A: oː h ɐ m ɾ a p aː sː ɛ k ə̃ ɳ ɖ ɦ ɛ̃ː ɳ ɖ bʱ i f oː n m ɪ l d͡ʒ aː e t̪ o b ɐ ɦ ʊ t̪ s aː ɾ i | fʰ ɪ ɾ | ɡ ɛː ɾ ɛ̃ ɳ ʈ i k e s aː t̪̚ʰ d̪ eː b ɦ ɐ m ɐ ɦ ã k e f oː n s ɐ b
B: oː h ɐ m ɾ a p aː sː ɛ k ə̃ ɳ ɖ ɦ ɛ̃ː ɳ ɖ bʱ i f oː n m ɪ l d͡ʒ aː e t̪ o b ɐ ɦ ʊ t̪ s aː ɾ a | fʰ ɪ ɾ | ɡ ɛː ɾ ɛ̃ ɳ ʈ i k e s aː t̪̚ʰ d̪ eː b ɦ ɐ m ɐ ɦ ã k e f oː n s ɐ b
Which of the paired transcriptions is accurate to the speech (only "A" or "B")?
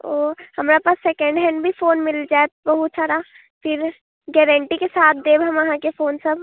B